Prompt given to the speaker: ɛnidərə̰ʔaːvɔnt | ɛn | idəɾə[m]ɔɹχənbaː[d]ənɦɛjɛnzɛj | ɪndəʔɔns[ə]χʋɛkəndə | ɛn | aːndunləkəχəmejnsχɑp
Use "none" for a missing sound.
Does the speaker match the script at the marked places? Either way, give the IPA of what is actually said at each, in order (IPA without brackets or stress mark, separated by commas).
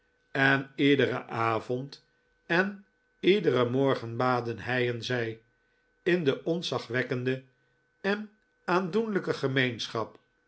m, d, ɑ